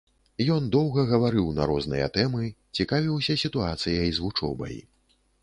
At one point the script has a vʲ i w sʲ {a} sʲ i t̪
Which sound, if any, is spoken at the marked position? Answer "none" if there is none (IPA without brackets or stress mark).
ɐ